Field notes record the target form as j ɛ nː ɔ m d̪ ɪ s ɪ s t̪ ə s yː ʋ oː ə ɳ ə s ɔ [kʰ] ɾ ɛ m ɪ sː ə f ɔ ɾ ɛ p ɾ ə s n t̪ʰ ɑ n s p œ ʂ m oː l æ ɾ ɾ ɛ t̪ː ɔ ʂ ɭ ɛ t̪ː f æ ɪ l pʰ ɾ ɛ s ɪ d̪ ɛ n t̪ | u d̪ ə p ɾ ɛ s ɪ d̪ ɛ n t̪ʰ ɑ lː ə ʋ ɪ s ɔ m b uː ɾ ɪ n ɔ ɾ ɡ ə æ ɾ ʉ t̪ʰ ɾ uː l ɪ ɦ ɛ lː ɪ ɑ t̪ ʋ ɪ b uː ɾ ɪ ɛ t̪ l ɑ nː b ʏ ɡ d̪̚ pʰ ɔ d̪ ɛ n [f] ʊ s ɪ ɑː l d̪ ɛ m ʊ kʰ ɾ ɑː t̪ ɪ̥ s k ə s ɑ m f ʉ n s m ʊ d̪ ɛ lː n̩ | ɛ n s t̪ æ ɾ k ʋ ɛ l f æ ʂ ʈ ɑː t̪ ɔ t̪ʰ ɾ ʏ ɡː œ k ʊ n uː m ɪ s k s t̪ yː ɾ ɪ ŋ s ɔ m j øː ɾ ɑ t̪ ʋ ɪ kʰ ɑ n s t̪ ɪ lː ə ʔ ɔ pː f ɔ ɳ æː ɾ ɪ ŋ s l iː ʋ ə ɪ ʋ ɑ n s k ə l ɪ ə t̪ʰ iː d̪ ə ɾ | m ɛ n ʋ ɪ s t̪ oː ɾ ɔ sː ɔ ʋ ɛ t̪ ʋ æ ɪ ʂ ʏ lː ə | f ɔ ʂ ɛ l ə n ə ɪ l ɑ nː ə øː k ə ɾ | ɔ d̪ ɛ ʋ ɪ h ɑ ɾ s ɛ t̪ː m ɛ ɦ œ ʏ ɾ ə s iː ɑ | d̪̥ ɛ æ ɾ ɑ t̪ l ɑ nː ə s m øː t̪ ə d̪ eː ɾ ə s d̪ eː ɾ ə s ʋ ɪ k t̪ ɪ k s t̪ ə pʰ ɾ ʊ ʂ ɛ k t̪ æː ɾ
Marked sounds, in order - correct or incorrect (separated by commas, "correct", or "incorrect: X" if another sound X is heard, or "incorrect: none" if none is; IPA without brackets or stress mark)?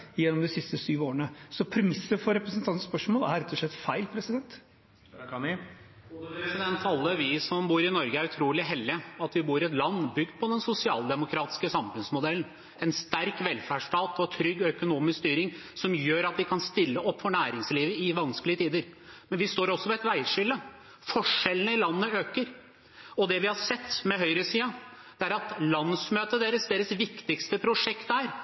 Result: incorrect: pʰ, incorrect: s